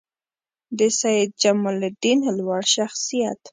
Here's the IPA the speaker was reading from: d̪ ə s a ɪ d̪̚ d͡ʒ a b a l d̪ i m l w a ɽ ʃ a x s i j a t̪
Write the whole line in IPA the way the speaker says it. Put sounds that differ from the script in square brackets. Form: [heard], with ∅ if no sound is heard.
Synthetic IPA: d̪ ə s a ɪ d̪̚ d͡ʒ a [m] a l d̪ i [n] l w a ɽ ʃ a x s i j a t̪